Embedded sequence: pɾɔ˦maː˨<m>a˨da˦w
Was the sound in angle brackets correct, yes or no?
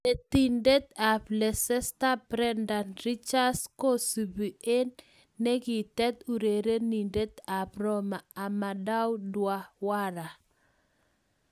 yes